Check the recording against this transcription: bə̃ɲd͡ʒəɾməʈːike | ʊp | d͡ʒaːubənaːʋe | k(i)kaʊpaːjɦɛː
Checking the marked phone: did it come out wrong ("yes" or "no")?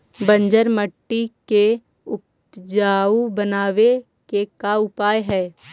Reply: yes